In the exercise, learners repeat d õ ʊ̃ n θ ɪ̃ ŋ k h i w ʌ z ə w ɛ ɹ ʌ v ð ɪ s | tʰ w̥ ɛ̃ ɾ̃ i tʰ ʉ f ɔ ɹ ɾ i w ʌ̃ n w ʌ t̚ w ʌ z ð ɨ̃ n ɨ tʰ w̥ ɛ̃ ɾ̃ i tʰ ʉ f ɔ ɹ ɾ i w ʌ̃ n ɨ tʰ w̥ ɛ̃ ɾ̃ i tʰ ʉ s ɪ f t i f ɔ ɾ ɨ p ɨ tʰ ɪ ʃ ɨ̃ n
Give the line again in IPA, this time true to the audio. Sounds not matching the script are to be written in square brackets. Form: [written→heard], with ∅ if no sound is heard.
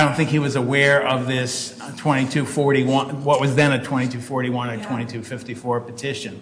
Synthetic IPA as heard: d õ ʊ̃ n θ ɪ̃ ŋ k h i w ʌ z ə w ɛ ɹ ʌ v ð ɪ s | tʰ w̥ ɛ̃ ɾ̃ i tʰ ʉ f ɔ ɹ ɾ i w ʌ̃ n w ʌ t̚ w ʌ z ð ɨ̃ n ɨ tʰ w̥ ɛ̃ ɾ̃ i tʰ ʉ f ɔ ɹ ɾ i w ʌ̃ n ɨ tʰ w̥ ɛ̃ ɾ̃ i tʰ ʉ [s→f] ɪ f t i f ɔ [ɾ→ɹ] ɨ p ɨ tʰ ɪ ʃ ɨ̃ n